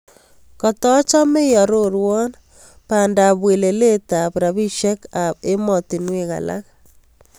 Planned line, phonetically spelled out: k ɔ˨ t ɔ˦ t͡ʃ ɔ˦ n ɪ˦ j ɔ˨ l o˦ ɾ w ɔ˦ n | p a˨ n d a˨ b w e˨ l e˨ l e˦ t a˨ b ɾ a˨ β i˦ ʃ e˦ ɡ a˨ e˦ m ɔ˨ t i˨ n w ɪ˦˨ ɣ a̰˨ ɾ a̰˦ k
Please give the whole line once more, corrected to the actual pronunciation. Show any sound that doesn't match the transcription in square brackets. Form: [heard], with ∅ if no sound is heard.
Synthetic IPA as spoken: k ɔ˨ t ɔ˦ t͡ʃ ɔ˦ [m] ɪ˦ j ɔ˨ [ɾ] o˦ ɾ w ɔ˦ n | p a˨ n d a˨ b w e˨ l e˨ l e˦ t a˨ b ɾ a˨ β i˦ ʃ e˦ [k] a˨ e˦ m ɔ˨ t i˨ n w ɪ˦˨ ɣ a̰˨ [l] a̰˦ k